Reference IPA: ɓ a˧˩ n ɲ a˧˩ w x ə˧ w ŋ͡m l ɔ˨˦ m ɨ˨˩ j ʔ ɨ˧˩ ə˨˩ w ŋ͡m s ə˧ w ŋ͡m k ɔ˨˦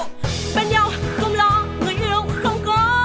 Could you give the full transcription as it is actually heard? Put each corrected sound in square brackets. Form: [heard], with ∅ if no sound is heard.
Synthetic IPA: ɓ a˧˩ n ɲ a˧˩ w x ə˧ w ŋ͡m l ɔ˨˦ [ŋ] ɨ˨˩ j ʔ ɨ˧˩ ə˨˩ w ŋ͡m [x] ə˧ w ŋ͡m k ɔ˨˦